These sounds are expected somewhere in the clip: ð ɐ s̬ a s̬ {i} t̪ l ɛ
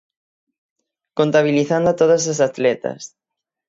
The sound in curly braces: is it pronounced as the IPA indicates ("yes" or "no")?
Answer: no